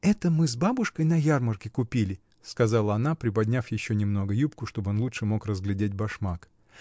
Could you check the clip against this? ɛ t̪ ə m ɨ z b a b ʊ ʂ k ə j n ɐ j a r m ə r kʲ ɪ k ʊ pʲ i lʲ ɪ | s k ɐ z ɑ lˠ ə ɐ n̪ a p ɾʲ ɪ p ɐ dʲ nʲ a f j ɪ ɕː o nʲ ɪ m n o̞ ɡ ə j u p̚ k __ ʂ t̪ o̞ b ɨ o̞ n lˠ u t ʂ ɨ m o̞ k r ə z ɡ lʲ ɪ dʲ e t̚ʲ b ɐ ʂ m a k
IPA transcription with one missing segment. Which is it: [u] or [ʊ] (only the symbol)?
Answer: ʊ